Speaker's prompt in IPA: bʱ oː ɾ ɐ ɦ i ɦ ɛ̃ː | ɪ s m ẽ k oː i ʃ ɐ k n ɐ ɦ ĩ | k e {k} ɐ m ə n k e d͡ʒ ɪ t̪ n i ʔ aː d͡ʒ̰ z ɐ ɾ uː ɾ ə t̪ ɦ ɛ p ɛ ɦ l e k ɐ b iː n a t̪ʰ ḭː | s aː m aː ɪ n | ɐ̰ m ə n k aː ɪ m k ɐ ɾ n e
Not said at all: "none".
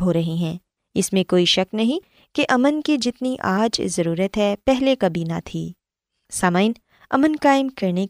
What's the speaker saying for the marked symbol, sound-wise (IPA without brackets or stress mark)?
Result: ʔ